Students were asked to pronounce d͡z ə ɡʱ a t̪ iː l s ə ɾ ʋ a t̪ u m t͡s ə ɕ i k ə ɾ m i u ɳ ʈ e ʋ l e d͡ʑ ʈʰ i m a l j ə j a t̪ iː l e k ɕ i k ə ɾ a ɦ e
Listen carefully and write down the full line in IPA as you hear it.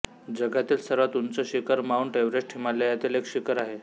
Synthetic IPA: d͡z ə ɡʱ a t̪ iː l s ə ɾ ʋ a t̪ u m t͡s ə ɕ i k ə ɾ m a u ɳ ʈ e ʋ ɾ e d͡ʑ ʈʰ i m a l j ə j a t̪ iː l e k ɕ i k ə ɾ a ɦ e